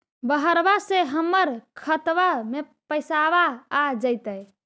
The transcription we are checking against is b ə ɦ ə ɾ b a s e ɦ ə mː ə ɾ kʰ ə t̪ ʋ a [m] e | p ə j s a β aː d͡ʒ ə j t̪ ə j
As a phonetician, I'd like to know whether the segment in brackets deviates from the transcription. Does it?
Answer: no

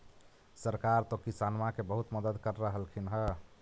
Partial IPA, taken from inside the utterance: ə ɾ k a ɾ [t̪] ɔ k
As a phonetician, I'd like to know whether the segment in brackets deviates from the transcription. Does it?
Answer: no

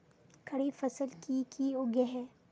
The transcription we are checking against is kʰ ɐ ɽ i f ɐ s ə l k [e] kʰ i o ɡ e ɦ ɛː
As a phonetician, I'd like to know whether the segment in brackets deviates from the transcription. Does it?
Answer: yes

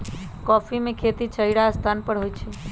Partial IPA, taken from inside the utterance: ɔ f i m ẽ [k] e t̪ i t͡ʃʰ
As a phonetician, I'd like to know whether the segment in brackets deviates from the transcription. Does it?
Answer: yes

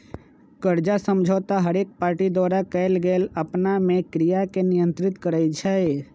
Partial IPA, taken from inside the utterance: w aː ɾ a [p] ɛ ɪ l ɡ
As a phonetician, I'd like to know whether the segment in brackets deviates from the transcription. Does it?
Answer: yes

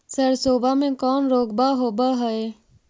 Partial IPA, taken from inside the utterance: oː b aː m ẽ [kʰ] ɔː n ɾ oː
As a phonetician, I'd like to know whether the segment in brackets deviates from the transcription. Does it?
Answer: yes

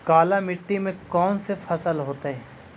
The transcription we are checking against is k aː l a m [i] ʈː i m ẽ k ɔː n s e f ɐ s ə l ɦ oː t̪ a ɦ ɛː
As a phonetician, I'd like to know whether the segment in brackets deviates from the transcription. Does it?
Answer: yes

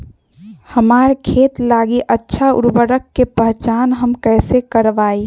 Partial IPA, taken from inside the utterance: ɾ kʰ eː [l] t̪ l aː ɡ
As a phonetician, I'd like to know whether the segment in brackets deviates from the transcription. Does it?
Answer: yes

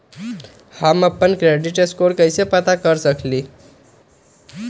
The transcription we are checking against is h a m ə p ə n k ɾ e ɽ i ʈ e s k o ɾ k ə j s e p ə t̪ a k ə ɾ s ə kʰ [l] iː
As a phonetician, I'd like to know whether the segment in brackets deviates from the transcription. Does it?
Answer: no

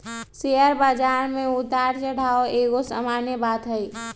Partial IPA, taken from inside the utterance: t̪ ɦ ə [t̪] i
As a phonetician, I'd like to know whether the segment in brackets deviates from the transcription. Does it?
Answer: yes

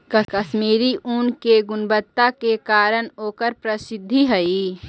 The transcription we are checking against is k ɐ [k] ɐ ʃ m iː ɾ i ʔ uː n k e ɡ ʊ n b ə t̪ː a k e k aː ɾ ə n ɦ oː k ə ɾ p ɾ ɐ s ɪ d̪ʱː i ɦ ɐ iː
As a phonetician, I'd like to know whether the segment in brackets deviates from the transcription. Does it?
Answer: no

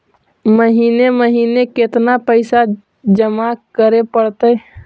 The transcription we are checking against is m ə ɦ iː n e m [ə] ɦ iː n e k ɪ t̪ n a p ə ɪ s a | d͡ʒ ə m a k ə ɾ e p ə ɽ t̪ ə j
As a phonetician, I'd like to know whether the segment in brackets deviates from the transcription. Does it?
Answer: no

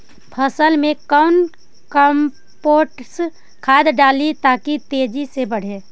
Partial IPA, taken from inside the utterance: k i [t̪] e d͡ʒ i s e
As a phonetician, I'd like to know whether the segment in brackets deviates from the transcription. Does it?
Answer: no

